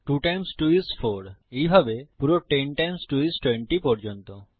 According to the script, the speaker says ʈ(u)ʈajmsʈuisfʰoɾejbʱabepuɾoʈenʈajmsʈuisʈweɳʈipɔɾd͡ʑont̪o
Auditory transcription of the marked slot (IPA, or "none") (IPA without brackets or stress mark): u